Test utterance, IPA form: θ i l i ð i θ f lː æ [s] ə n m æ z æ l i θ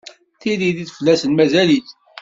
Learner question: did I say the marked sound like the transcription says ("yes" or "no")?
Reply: yes